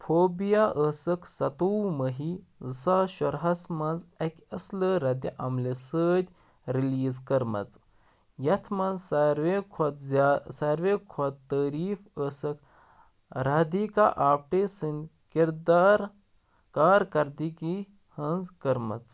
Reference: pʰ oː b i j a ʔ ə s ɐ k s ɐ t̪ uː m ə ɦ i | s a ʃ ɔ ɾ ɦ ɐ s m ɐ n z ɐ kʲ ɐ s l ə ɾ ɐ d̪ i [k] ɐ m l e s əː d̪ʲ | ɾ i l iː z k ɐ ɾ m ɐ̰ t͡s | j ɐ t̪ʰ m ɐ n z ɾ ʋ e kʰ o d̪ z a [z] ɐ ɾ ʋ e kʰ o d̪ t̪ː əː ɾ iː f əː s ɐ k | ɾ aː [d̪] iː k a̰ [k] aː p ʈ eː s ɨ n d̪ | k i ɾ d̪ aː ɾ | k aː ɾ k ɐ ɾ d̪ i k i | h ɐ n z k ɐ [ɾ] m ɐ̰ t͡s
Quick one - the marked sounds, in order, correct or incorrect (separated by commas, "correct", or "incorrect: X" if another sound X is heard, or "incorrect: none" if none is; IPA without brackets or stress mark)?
incorrect: ʔ, incorrect: s, correct, incorrect: ʔ, correct